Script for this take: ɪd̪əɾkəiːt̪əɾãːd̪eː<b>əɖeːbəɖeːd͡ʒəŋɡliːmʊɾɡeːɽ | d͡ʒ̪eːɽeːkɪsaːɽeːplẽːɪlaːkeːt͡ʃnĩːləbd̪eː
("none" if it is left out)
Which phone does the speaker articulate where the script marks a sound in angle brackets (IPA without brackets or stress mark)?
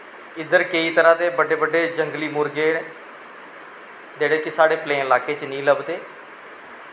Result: b